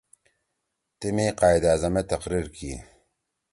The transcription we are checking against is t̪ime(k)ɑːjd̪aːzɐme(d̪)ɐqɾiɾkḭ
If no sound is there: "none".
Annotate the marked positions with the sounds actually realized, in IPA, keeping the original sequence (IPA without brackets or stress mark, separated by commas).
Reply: q, t̪